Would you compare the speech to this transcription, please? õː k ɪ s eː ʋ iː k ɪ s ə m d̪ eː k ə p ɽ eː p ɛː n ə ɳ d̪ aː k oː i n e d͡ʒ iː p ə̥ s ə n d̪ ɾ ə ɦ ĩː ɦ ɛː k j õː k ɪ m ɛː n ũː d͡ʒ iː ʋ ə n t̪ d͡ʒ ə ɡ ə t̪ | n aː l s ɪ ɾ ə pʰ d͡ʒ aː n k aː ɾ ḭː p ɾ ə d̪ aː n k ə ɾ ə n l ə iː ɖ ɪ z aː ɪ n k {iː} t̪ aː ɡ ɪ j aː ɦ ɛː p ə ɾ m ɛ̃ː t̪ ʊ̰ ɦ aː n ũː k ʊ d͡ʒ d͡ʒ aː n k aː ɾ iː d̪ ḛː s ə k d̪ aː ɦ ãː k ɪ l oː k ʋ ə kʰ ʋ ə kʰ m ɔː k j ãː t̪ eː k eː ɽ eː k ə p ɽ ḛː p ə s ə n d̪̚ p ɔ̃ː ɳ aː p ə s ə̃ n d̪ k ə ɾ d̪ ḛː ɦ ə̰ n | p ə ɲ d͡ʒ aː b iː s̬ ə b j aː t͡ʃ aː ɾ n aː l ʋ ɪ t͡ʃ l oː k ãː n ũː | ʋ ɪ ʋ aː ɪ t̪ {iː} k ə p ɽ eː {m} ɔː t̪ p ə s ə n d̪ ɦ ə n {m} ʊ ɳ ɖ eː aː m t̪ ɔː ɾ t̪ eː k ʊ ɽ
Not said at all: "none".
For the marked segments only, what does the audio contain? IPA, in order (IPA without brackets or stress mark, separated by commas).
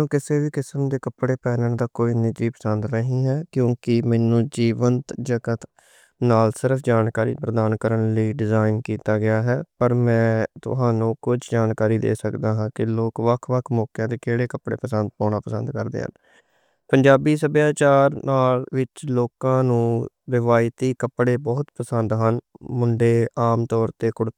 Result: iː, iː, b, m